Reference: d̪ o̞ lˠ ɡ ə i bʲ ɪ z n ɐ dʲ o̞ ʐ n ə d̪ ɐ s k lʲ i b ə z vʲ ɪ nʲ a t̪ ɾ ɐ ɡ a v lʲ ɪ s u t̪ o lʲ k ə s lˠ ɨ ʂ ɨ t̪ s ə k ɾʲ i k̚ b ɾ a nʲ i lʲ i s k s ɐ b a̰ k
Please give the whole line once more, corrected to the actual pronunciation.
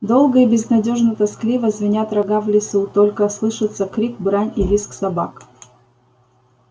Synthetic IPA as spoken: d̪ o̞ lˠ ɡ ə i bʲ ɪ z n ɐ dʲ o̞ ʐ n ə t̪ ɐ s k lʲ i v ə z vʲ ɪ nʲ a t̪ ɾ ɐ ɡ a v lʲ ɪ s u t̪ o lʲ k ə s lˠ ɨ ʂ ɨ t̪ s ə k ɾʲ i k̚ b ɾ a nʲ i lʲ i s k s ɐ b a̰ k

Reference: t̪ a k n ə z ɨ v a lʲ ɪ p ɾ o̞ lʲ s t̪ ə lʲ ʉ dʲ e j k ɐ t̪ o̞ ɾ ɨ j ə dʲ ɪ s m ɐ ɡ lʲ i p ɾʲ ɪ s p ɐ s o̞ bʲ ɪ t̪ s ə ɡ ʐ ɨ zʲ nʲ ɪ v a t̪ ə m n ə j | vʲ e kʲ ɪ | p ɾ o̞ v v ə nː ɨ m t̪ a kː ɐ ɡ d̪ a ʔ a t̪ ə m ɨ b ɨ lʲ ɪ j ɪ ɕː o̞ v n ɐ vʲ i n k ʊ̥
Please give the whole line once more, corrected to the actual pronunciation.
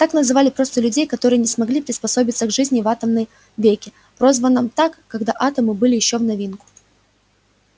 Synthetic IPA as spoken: t̪ a k n ə z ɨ v a lʲ ɪ p ɾ o̞ s t̪ ə lʲ ʉ dʲ e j k ɐ t̪ o̞ ɾ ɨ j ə nʲ ɪ s m ɐ ɡ lʲ i p ɾʲ ɪ s p ɐ s o̞ bʲ ɪ t̪ s ə ɡ ʐ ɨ zʲ nʲ ɪ v a t̪ ə m n ə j | vʲ e kʲ ɪ | p ɾ o̞ z v ə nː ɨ m t̪ a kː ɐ ɡ d̪ a ʔ a t̪ ə m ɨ b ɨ lʲ ɪ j ɪ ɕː o̞ v n ɐ vʲ i n k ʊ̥

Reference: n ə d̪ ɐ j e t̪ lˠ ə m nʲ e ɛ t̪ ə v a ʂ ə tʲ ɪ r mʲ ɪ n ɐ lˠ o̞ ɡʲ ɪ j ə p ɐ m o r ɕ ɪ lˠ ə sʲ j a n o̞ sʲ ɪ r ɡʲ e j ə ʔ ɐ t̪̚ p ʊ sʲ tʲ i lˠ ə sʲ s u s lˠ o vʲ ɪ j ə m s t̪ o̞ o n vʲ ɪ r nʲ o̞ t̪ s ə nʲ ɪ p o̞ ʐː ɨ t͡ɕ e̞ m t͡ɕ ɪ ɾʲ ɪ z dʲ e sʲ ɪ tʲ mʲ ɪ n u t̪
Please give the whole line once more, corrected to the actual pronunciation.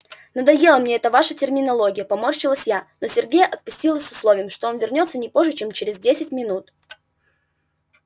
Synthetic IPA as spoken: n ə d̪ ɐ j e lˠ ə m nʲ e ɛ t̪ ə v a ʂ ə tʲ ɪ r mʲ ɪ n ɐ lˠ o̞ ɡʲ ɪ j ə p ɐ m o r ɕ ɪ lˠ ə sʲ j a n o̞ sʲ ɪ r ɡʲ e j ə ʔ ɐ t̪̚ p ʊ sʲ tʲ i lˠ ə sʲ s ʊ s lˠ o vʲ ɪ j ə m ʂ t̪ o̞ o n vʲ ɪ r nʲ o̞ t̪ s ə nʲ ɪ p o̞ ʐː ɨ t͡ɕ e̞ m t͡ɕ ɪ ɾʲ ɪ z dʲ e sʲ ɪ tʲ mʲ ɪ n u t̪

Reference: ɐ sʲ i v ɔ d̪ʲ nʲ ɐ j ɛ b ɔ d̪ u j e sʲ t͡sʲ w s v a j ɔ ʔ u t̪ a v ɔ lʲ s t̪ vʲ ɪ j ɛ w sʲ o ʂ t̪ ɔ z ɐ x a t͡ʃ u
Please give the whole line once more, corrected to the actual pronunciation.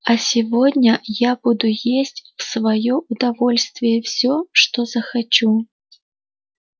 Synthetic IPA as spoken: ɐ sʲ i v ɔ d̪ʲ nʲ ɐ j a b u d̪ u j e sʲ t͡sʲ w s v a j ɔ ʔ u d̪ a v ɔ lʲ s t̪ vʲ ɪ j ɛ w sʲ ɔ ʂ t̪ ɔ z ɐ x a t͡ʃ u

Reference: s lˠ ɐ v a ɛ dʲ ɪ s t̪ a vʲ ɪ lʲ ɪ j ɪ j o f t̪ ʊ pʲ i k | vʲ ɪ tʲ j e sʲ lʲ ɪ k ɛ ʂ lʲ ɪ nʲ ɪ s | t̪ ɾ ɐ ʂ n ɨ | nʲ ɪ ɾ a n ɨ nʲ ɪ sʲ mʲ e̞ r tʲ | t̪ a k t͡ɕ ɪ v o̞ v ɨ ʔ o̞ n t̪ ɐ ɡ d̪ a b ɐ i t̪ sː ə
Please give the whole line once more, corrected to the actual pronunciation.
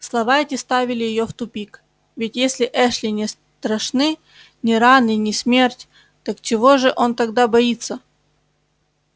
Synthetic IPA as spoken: s lˠ ɐ v a ɛ tʲ ɪ s t̪ a vʲ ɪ lʲ ɪ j ɪ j o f t̪ ʊ pʲ i k | vʲ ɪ tʲ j e sʲ lʲ ɪ ʔ ɛ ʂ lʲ ɪ nʲ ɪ s | t̪ ɾ ɐ ʂ n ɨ | nʲ ɪ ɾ a n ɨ nʲ ɪ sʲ mʲ e̞ r tʲ | t̪ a k t͡ɕ ɪ v o̞ ʐ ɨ ʔ o̞ n t̪ ɐ ɡ d̪ a b ɐ i t̪ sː ə

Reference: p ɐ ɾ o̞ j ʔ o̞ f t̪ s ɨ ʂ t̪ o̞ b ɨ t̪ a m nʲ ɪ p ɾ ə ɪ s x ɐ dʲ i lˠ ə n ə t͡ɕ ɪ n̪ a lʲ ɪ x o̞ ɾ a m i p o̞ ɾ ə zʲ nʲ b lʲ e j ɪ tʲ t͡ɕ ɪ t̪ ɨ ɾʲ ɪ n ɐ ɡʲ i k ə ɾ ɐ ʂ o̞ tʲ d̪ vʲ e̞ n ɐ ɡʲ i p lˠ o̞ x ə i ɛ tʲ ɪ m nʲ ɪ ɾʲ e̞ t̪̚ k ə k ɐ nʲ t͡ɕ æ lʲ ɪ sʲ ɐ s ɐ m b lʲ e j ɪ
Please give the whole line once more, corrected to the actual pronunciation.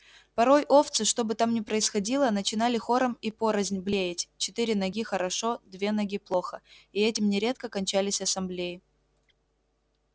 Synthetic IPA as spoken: p ɐ ɾ o̞ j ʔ o̞ f t̪ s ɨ ʂ t̪ o̞ b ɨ t̪ a m nʲ ɪ p ɾ ə ɪ s x ɐ dʲ i lˠ ə n ə t͡ɕ ɪ n̪ a lʲ ɪ x o̞ ɾ ə m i p o̞ ɾ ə zʲ nʲ b lʲ e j ɪ tʲ t͡ɕ ɪ t̪ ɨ ɾʲ ɪ n ɐ ɡʲ i x ə ɾ ɐ ʂ o̞ d̪ vʲ e̞ n ɐ ɡʲ i p lˠ o̞ x ə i ɛ tʲ ɪ m nʲ ɪ ɾʲ e̞ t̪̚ k ə k ɐ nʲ t͡ɕ æ lʲ ɪ sʲ ɐ s ɐ m b lʲ e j ɪ

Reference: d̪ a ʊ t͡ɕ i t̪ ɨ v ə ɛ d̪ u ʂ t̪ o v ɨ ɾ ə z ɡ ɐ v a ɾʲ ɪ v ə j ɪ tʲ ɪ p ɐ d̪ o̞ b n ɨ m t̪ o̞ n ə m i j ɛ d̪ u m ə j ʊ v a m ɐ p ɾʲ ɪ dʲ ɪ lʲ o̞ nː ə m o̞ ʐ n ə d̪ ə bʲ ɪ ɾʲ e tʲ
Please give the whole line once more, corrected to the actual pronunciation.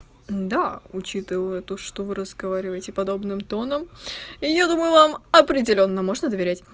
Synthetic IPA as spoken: d̪ a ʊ t͡ɕ i t̪ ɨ v ə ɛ t̪ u ʂ t̪ o v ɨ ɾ ə z ɡ ɐ v a ɾʲ ɪ v ə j ɪ tʲ ɪ p ɐ d̪ o̞ b n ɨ m t̪ o̞ n ə m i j a d̪ u m ə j ʊ v a m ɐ p ɾʲ ɪ dʲ ɪ lʲ o̞ nː ə m o̞ ʐ n ə d̪ ə vʲ ɪ ɾʲ æ tʲ

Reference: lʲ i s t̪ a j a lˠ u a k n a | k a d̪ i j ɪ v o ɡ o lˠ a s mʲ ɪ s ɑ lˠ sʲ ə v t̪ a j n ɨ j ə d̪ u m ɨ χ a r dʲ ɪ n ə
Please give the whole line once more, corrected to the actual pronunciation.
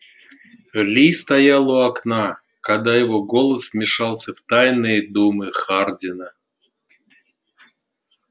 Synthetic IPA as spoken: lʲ i s t̪ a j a lˠ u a k n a | k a d̪ a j ɪ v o ɡ o lˠ ə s mʲ ɪ ʂ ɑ lˠ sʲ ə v t̪ a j n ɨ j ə d̪ u m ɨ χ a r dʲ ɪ n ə

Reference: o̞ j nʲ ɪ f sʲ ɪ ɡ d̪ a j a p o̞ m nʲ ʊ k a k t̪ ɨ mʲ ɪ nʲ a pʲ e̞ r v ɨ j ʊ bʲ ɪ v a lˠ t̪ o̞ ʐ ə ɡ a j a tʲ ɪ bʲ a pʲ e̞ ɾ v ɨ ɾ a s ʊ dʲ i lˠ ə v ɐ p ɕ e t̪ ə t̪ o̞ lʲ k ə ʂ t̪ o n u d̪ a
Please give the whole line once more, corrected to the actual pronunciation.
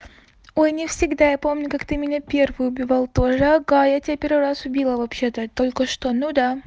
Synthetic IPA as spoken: o̞ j nʲ ɪ f sʲ ɪ ɡ d̪ a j a p o̞ m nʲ ʊ k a k t̪ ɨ mʲ ɪ nʲ a pʲ e̞ r v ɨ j ʊ bʲ ɪ v a lˠ t̪ o̞ ʐ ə ɡ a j a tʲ ɪ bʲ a pʲ e̞ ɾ v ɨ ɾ a s ʊ bʲ i lˠ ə v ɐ p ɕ e t̪ ə t̪ o̞ lʲ k ə ʂ t̪ o n u d̪ a

